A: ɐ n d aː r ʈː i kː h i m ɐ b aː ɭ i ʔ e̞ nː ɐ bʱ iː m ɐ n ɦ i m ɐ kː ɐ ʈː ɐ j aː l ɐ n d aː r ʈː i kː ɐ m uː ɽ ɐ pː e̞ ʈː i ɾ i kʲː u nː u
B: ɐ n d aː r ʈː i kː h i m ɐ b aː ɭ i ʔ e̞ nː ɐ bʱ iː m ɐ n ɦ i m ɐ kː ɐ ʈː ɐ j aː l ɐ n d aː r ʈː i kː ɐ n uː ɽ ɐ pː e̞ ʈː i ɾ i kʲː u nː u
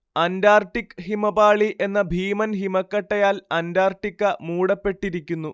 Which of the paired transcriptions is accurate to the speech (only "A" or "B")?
A